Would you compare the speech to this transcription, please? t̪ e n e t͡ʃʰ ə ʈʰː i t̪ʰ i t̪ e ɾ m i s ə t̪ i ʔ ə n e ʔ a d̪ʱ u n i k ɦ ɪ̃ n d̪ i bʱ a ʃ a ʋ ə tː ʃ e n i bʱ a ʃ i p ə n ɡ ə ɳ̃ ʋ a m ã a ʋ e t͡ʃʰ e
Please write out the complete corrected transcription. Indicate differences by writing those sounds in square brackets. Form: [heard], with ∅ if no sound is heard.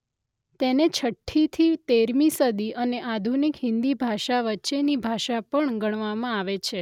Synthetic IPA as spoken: t̪ e n e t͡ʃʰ ə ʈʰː i t̪ʰ i t̪ e ɾ m i s ə [d̪] i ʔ ə n e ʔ a d̪ʱ u n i k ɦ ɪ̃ n d̪ i bʱ a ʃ a ʋ ə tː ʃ e n i bʱ a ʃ [a] p ə [ɳ] ɡ ə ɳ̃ ʋ a m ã a ʋ e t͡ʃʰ e